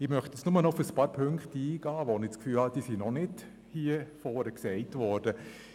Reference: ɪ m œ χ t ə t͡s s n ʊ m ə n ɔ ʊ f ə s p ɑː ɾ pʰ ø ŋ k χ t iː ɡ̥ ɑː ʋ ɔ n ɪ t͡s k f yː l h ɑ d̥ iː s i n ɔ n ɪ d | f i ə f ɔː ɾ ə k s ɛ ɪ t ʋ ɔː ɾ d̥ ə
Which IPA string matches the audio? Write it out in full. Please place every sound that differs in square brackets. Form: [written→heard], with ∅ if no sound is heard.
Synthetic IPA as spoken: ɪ m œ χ t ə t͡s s n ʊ m ə n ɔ ʊ f ə s p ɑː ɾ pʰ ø ŋ k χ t iː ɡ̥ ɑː ʋ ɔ n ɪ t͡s k f yː l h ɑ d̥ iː s i n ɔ n ɪ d | [f→h] i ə f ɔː ɾ ə k s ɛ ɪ t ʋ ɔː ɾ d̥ ə